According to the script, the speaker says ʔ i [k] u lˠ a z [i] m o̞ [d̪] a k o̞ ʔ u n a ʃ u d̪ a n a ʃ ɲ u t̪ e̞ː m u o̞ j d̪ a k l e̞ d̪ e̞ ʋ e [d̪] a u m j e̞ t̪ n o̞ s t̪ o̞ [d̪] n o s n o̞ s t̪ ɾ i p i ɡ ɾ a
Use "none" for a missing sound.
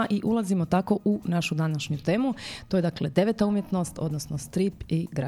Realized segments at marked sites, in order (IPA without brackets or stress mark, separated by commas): ʔ, i, t̪, t̪, d̪